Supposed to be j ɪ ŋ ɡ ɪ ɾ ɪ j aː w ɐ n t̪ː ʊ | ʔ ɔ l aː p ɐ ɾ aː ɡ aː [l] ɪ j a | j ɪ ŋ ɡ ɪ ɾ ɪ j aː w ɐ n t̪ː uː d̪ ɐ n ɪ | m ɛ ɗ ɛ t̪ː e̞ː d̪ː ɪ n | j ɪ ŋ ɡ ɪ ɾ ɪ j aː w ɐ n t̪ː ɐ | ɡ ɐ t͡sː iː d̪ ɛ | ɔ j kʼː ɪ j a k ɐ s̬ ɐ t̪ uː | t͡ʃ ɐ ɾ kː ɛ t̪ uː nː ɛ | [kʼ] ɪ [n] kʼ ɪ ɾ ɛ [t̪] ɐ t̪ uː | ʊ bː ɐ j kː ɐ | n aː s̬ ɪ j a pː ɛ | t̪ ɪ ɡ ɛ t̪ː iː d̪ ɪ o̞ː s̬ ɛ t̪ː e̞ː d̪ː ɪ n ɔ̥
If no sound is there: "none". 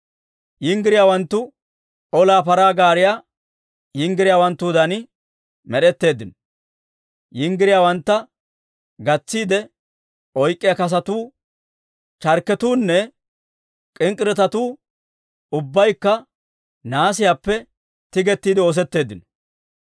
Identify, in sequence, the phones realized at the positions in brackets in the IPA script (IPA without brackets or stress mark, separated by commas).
ɾ, kʼ, ŋ, t̪